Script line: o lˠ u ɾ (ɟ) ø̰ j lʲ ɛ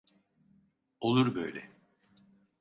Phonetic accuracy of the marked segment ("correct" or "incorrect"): incorrect